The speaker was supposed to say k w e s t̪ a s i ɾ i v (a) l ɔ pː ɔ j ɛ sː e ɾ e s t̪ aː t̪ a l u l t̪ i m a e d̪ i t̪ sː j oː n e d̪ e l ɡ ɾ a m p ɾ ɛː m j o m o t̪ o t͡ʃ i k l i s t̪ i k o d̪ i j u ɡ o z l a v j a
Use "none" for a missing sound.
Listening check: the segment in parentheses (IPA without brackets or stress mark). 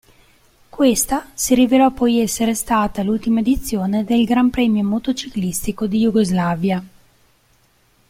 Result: e